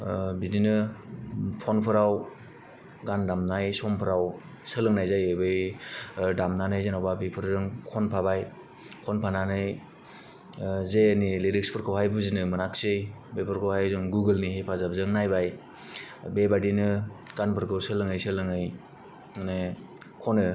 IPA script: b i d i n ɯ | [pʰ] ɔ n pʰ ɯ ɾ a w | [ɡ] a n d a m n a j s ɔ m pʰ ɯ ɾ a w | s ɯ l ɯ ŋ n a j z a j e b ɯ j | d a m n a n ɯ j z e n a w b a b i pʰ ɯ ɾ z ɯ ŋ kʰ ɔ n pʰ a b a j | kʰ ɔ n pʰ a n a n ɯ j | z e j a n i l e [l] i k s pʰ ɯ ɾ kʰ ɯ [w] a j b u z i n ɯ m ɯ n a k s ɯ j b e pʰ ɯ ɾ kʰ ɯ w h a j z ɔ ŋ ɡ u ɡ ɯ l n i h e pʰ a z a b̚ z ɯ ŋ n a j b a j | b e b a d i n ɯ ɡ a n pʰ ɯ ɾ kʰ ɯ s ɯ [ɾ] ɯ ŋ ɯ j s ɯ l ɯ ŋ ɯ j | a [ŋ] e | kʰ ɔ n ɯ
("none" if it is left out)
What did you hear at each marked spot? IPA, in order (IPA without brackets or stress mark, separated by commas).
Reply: pʰ, ɡ, ɾ, w, l, n